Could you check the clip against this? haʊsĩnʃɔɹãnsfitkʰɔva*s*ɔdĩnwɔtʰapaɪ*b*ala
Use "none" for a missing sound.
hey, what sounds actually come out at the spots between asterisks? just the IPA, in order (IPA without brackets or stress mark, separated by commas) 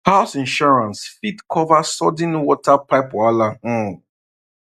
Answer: s, p